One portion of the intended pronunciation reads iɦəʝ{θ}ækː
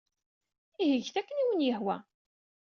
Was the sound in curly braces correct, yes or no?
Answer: yes